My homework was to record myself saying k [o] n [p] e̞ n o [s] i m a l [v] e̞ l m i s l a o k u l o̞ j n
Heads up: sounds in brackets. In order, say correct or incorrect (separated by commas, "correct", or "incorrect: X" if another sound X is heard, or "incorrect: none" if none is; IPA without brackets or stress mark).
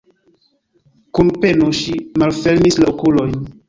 incorrect: u, correct, incorrect: ʃ, incorrect: f